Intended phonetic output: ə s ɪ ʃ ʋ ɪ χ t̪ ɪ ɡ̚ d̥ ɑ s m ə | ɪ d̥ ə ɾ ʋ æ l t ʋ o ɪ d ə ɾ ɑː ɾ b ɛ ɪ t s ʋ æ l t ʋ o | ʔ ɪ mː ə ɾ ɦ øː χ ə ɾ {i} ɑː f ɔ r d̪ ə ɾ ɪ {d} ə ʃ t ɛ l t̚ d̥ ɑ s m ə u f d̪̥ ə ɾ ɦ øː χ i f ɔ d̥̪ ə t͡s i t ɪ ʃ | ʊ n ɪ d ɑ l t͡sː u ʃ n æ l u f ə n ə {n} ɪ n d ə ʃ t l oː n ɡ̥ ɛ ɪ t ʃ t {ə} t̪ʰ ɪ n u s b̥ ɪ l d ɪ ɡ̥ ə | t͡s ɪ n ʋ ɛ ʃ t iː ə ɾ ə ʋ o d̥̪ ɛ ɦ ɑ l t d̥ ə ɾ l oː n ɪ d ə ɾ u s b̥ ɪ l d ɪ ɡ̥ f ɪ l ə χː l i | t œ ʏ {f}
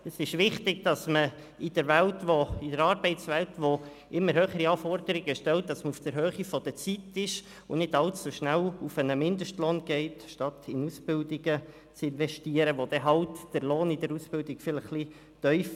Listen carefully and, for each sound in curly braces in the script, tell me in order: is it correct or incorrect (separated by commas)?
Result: correct, incorrect, incorrect, incorrect, correct